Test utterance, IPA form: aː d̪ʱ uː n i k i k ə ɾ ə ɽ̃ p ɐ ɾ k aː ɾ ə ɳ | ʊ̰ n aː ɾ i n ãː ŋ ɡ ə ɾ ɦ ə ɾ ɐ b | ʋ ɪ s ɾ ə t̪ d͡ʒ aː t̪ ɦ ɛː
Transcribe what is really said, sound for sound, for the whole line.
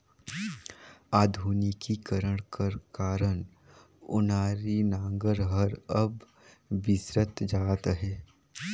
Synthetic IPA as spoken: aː d̪ʱ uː n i k i k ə ɾ ə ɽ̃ k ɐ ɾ k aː ɾ ə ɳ | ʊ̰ n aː ɾ i n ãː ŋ ɡ ə ɾ ɦ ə ɾ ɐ b | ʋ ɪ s ɾ ə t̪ d͡ʒ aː t̪ ɦ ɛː